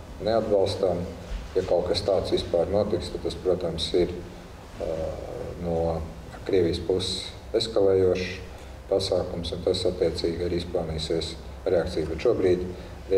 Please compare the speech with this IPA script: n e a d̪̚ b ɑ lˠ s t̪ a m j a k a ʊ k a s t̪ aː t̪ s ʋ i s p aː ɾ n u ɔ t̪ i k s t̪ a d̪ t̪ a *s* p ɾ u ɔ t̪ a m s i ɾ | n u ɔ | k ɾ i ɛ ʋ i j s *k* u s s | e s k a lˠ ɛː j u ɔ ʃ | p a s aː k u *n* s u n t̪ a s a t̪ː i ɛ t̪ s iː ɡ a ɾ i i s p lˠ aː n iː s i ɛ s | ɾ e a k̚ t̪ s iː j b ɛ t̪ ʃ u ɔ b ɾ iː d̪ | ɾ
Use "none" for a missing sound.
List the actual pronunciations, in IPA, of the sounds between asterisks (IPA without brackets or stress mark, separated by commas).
s, p, m